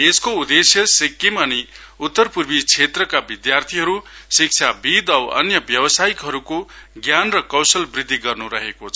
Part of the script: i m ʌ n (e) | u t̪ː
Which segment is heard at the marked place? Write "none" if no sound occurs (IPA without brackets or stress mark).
i